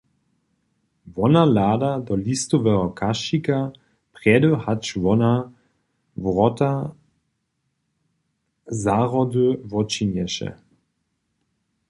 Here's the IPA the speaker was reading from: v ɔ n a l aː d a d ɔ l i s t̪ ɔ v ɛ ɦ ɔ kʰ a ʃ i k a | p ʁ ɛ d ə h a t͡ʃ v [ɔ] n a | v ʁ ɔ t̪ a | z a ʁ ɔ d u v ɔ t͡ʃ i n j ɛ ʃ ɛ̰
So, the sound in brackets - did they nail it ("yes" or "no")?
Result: yes